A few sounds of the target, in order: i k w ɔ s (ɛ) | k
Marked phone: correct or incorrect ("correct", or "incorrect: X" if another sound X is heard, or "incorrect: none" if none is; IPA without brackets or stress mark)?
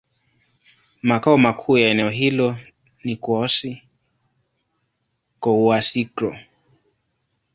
incorrect: i